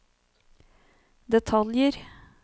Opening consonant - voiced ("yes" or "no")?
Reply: yes